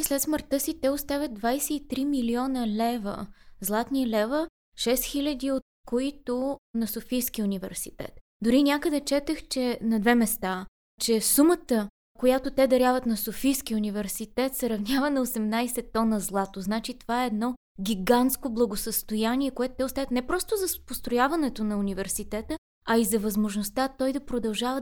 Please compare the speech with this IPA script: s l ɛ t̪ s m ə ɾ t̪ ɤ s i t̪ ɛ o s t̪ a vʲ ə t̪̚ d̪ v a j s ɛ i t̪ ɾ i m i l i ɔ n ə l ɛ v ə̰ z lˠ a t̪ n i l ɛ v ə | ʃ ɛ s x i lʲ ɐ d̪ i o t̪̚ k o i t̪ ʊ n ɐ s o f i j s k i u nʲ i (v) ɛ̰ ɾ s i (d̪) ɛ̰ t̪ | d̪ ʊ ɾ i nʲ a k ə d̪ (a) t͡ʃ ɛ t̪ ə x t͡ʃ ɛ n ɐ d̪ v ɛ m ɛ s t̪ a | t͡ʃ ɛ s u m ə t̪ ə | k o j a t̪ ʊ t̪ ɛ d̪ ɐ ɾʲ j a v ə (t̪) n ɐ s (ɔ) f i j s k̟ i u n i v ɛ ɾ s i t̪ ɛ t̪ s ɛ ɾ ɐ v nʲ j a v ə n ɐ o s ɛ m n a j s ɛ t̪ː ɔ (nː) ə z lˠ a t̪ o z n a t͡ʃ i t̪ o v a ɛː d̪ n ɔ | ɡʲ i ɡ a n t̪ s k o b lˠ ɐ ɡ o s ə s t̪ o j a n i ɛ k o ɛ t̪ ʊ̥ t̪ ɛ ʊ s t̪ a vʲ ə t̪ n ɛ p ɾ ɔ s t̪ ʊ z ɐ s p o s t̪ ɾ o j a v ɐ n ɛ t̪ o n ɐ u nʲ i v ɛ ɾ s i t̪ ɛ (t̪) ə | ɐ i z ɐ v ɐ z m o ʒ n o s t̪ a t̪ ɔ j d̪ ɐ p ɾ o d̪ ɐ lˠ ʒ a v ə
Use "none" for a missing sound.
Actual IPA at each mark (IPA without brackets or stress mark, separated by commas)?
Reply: v, t̪, ɛ, t̪, o, n, t̪